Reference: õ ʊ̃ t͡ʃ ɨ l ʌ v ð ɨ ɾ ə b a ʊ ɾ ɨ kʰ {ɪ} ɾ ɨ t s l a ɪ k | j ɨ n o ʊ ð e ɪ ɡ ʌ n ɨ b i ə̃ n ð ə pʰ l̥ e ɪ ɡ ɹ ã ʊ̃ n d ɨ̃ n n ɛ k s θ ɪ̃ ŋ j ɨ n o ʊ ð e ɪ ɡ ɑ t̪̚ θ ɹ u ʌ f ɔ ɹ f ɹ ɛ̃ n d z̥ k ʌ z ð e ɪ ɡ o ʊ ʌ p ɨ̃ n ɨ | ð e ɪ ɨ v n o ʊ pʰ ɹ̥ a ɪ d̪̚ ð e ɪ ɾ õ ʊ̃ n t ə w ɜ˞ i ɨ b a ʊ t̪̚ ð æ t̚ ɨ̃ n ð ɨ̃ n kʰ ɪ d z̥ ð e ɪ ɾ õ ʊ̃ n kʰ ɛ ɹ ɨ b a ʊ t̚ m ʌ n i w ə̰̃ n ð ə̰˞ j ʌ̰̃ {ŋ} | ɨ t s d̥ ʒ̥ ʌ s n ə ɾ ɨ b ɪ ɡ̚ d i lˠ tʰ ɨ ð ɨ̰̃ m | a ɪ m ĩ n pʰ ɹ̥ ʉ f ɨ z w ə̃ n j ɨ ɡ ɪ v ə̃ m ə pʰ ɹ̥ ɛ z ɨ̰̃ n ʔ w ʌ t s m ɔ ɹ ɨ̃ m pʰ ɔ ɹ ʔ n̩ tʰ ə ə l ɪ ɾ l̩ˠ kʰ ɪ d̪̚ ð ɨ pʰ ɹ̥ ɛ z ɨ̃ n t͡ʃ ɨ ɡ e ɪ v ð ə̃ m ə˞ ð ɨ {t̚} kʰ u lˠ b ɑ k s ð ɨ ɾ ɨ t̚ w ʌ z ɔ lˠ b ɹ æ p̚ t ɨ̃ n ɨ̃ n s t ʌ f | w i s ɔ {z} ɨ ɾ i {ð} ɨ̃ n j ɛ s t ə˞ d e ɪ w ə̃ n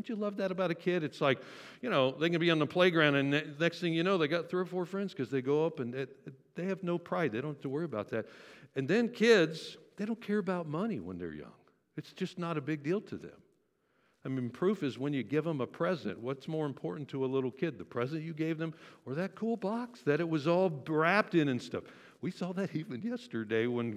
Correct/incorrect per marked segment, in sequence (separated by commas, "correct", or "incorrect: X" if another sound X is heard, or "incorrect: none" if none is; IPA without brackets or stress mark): correct, correct, correct, incorrect: ð, incorrect: v